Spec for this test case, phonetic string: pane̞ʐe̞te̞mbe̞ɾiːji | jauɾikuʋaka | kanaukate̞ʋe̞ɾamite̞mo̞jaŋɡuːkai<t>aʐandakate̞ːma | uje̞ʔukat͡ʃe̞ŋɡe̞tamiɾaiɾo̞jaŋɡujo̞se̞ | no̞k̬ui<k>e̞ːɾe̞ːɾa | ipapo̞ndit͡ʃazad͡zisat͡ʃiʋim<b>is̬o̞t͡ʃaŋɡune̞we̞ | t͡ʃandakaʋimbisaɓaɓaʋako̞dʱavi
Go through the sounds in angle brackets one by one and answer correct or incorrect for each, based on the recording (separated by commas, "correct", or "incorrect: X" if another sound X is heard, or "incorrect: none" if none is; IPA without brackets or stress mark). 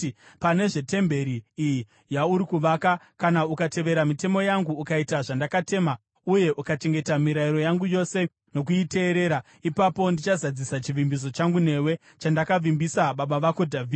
correct, incorrect: t, correct